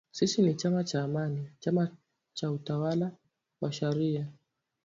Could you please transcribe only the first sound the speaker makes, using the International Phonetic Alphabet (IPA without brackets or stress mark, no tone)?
s